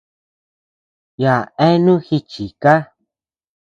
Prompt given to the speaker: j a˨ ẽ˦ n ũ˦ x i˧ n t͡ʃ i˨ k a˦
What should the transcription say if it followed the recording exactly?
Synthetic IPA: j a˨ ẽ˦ n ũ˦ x i˧ t͡ʃ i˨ k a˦